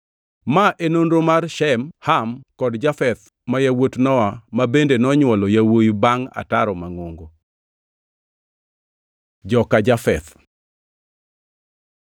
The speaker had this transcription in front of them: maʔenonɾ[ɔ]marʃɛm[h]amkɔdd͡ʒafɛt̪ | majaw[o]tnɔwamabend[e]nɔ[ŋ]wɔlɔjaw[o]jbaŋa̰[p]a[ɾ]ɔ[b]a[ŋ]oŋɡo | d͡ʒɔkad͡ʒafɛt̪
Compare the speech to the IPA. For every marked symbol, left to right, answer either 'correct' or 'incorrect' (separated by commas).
incorrect, correct, correct, correct, incorrect, correct, incorrect, correct, incorrect, correct